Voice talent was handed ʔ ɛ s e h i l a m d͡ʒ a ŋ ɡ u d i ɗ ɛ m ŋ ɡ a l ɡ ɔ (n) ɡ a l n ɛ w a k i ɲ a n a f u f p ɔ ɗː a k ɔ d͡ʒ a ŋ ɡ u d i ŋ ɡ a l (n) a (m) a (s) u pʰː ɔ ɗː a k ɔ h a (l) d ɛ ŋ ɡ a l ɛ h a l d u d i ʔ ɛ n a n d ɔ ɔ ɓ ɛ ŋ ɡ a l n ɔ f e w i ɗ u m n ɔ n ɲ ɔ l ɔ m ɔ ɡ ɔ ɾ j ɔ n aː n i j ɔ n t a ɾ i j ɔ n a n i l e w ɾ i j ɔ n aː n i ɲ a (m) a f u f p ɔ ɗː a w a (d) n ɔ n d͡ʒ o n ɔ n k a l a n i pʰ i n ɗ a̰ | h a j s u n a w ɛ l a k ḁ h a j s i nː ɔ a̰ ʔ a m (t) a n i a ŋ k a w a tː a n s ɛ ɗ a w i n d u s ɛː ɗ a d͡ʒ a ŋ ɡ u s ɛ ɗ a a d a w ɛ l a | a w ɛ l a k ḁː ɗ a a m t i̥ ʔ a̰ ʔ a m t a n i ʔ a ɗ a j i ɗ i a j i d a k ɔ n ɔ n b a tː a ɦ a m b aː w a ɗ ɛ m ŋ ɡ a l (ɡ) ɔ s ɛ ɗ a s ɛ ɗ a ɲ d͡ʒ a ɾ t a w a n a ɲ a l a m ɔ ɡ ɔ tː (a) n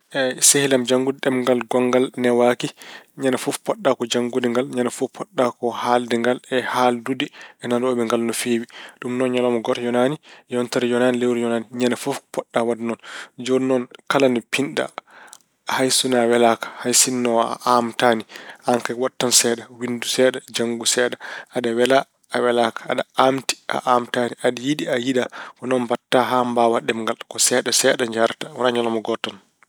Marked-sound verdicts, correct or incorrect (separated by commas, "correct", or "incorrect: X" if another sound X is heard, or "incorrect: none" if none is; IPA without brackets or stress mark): incorrect: ŋ, incorrect: ɲ, incorrect: n, incorrect: f, correct, incorrect: n, correct, correct, incorrect: k, correct